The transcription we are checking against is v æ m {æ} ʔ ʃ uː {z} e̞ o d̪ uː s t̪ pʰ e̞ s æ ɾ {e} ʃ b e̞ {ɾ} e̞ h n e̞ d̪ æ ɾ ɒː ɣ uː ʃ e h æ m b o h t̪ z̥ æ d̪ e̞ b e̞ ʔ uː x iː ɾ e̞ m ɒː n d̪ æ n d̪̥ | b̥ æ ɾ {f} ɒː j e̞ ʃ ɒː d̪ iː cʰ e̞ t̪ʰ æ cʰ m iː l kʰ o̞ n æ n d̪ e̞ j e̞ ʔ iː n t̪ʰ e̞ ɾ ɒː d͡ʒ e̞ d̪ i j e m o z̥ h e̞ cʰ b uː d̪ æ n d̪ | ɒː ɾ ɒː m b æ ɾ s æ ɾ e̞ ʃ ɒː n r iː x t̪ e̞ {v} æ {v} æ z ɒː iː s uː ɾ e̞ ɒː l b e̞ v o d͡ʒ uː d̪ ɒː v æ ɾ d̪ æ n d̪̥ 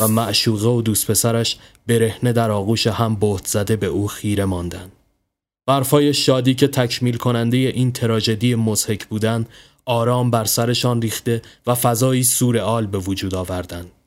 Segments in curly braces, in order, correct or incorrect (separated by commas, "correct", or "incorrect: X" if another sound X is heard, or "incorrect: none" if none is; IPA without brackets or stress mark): correct, incorrect: ɣ, incorrect: æ, correct, correct, correct, incorrect: f